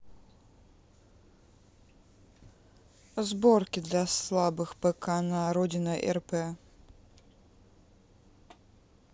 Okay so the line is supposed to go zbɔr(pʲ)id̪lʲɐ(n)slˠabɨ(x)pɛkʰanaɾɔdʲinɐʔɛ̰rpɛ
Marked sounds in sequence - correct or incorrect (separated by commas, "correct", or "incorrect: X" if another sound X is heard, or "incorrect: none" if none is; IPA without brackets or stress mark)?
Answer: incorrect: kʲ, incorrect: none, correct